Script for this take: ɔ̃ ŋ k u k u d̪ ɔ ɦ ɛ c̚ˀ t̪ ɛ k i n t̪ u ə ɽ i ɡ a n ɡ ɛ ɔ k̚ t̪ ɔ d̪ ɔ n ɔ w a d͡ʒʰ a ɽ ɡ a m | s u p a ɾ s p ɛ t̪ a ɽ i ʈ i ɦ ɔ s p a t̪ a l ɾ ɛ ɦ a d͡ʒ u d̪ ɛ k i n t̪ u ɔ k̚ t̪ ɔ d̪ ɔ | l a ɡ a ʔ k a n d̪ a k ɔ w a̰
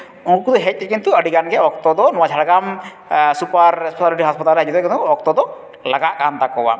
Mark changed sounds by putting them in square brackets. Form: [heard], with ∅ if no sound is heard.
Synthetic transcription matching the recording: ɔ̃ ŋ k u k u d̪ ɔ ɦ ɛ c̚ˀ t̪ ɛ k i n t̪ u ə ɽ i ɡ a n ɡ ɛ ɔ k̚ t̪ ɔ d̪ ɔ n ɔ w a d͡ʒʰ a ɽ ɡ a m | s u p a ɾ s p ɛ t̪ a [l] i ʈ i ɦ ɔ s p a t̪ a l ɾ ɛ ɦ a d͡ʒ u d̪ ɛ k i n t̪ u ɔ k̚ t̪ ɔ d̪ ɔ | l a ɡ a ʔ k a n [t̪] a k ɔ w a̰